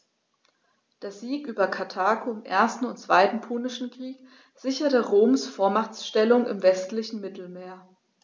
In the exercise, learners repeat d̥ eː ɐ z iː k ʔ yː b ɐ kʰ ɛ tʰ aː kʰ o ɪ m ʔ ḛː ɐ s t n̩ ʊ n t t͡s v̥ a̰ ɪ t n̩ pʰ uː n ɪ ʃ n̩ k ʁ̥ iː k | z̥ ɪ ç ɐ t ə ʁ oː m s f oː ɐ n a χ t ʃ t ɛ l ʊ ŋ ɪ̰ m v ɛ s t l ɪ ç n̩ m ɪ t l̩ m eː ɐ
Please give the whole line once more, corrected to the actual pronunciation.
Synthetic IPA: d̥ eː ɐ z iː k ʔ yː b ɐ kʰ a tʰ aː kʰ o ɪ m ʔ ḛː ɐ s t n̩ ʊ n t t͡s v̥ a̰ ɪ t n̩ pʰ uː n ɪ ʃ n̩ k ʁ̥ iː k | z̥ ɪ ç ɐ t ə ʁ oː m s f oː ɐ m a χ t͡s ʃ t ɛ l ʊ ŋ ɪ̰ m v ɛ s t l ɪ ç n̩ m ɪ t l̩ m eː ɐ